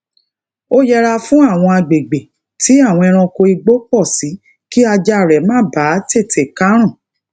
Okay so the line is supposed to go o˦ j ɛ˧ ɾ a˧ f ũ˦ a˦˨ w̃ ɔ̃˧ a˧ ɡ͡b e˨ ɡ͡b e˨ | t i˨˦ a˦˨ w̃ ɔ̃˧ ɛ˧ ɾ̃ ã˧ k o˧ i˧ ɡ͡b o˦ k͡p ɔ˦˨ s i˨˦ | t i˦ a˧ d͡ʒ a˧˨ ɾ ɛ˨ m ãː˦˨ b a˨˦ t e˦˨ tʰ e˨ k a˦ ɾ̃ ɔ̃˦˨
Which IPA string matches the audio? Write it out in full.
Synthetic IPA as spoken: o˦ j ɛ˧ ɾ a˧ f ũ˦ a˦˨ w̃ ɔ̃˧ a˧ ɡ͡b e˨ ɡ͡b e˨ | t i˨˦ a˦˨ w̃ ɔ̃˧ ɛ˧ ɾ̃ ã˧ k o˧ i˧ ɡ͡b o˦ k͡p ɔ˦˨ s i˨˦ | k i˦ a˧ d͡ʒ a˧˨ ɾ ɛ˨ m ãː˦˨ b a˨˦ t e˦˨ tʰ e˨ k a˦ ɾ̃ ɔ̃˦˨